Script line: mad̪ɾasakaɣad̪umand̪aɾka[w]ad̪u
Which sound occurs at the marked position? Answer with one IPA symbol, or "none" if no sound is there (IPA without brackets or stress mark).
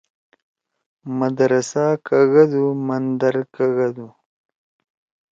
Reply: ɣ